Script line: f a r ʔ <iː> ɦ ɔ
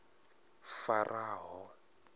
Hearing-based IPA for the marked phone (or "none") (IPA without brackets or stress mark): aː